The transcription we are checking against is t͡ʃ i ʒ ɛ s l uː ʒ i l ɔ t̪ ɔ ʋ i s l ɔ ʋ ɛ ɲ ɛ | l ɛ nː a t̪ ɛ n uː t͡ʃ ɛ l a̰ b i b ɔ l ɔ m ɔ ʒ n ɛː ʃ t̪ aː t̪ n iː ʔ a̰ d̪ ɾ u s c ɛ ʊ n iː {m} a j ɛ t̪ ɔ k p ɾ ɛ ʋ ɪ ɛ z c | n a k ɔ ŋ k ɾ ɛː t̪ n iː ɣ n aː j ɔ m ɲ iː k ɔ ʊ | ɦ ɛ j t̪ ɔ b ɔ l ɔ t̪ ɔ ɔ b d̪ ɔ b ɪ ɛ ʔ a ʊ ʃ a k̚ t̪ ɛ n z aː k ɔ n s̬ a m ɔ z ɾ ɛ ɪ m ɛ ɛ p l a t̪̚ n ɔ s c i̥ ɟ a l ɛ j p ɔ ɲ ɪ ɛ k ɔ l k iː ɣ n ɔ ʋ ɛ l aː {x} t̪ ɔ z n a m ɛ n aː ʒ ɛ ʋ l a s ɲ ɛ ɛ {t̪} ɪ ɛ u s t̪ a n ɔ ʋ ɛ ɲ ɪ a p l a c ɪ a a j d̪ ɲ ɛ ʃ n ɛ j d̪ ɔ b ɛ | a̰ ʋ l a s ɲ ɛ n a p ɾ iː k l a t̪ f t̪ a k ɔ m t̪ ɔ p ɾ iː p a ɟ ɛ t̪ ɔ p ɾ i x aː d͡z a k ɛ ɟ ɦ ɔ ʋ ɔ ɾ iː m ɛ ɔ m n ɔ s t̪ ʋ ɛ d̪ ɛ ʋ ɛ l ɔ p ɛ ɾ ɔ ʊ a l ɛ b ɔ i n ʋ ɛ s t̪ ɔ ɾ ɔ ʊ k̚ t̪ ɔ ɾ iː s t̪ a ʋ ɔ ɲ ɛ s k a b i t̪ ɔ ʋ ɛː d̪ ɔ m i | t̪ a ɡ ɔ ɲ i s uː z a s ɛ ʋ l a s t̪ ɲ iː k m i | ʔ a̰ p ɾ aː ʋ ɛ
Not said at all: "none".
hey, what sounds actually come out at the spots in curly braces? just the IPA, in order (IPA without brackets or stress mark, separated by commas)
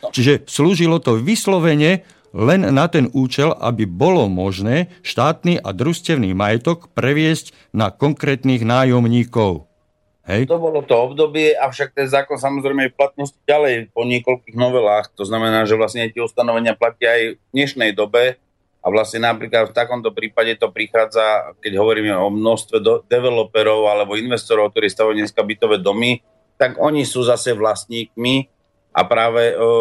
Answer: m, x, t̪